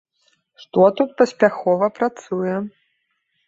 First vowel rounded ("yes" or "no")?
yes